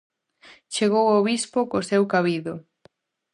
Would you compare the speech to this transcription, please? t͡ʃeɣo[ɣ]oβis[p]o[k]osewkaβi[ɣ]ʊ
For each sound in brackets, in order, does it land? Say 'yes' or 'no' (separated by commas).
no, yes, yes, no